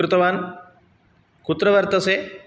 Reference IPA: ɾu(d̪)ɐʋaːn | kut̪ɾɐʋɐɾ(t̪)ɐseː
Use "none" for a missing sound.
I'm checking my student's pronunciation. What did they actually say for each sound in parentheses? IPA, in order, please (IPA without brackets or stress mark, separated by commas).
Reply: t̪, t̪